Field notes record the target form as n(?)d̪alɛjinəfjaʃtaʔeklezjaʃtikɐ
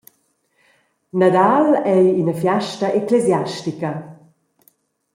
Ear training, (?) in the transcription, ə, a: a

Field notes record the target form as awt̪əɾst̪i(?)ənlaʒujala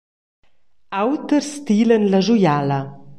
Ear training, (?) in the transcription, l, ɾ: l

